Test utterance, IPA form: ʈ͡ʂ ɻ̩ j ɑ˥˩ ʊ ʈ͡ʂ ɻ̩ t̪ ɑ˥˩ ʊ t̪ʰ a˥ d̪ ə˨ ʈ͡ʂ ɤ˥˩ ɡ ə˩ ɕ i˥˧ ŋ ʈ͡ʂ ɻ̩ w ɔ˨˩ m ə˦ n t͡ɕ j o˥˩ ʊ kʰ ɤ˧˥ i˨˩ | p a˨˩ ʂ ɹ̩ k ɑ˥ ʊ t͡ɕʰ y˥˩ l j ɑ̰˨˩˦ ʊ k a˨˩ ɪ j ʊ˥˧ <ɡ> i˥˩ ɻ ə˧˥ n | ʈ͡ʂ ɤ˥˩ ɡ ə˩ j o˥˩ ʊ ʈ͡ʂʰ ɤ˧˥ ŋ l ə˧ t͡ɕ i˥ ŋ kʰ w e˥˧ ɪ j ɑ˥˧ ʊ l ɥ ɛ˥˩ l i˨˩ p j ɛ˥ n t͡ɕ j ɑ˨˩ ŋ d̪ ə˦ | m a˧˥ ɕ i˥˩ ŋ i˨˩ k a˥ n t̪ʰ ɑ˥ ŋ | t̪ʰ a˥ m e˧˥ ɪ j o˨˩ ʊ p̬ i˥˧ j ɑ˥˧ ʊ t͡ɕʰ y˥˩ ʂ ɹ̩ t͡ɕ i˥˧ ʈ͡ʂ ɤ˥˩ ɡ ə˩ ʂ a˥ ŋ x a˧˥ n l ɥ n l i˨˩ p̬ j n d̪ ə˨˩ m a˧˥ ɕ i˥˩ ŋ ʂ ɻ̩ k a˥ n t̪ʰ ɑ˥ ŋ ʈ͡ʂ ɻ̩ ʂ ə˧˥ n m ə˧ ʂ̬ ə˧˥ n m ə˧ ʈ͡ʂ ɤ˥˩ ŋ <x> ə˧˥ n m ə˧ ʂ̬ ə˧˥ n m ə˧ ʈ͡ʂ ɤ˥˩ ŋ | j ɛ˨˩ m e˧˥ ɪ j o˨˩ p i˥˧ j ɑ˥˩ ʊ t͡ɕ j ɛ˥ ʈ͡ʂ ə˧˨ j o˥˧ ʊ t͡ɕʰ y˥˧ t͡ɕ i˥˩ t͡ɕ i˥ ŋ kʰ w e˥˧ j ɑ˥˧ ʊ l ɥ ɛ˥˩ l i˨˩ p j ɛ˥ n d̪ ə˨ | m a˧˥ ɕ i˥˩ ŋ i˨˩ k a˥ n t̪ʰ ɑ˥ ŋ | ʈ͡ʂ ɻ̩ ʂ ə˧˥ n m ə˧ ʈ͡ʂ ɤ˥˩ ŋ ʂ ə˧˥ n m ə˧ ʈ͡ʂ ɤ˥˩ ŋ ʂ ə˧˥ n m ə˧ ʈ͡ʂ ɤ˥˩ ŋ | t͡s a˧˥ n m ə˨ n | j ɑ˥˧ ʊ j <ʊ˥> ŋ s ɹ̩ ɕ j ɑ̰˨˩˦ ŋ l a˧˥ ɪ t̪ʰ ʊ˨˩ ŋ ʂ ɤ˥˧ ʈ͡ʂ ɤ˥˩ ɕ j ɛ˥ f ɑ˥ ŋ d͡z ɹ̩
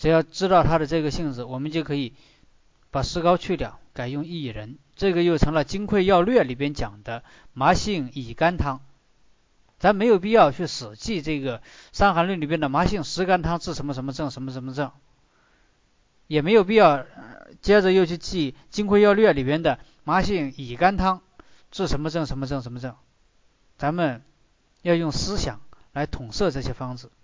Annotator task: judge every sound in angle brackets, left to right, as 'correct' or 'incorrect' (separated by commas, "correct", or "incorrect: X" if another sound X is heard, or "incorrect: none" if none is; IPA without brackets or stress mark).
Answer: incorrect: ŋ, incorrect: ʂ, incorrect: ʊ˥˩